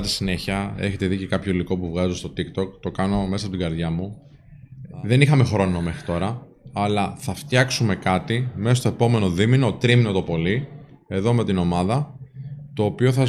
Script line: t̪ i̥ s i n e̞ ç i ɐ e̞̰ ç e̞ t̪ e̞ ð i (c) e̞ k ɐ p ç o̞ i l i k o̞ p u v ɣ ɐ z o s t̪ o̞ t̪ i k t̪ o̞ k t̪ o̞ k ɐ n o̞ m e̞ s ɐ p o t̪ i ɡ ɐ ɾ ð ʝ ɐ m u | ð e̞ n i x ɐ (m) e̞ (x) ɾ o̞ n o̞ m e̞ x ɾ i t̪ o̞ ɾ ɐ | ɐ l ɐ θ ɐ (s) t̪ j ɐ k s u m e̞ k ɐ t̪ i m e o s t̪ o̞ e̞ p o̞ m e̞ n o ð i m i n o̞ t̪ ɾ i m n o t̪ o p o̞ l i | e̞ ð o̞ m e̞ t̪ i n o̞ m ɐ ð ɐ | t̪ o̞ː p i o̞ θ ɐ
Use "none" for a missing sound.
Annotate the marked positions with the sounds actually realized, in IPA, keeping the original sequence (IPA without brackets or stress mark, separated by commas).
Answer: c, m, x, f